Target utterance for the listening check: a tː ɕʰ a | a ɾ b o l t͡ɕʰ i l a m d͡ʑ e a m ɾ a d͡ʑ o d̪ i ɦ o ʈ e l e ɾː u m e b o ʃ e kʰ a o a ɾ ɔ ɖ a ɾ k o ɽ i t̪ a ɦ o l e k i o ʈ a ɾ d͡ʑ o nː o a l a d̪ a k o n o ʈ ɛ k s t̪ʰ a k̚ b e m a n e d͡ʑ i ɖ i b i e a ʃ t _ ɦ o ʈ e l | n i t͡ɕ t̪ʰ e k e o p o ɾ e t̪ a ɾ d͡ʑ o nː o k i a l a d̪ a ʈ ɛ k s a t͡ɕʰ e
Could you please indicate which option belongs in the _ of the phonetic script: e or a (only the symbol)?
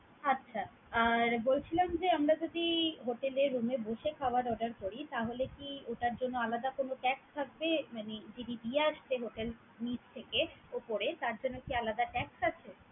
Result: e